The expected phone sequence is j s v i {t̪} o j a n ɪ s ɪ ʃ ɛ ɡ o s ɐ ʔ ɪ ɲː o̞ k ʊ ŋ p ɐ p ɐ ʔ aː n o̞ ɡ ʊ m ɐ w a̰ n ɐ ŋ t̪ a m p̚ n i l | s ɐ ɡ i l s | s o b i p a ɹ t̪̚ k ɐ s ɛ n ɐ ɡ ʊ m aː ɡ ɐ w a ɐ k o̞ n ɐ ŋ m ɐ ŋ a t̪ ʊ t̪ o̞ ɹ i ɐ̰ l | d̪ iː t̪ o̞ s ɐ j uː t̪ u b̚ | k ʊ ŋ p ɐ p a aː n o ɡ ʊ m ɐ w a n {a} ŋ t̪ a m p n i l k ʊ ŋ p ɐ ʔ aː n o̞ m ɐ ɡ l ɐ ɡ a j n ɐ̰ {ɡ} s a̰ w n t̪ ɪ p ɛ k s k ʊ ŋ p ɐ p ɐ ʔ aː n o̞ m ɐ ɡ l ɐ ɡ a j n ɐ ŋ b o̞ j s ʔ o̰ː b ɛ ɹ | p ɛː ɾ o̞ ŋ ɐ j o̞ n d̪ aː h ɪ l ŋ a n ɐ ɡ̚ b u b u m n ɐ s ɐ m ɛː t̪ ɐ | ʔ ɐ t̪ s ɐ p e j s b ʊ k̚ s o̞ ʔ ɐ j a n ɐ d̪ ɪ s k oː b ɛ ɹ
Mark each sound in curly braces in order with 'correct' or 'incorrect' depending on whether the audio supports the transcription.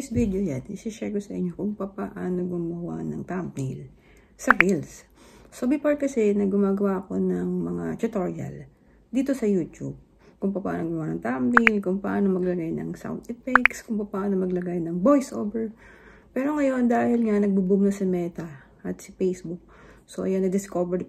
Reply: incorrect: d̪, incorrect: ɐ, incorrect: ŋ

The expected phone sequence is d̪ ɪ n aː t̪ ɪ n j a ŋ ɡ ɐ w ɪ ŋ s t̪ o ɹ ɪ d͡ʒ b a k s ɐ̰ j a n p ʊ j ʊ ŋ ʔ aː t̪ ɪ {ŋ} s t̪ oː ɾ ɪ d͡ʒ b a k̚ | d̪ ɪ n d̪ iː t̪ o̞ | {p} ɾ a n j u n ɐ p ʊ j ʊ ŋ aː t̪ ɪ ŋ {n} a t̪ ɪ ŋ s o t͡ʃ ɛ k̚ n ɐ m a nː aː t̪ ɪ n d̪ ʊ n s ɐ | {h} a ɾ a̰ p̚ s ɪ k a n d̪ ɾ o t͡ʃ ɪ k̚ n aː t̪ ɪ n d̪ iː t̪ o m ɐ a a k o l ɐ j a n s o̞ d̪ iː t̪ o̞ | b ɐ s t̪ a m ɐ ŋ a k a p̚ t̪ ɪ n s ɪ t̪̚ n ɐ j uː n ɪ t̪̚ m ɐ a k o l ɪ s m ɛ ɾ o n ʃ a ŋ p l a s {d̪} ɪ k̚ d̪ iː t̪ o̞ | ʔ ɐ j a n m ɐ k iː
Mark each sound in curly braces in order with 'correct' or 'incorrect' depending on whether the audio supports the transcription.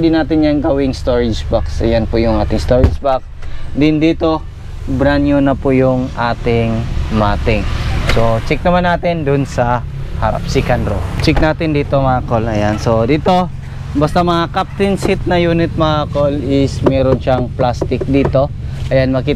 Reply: correct, incorrect: b, incorrect: m, correct, incorrect: t̪

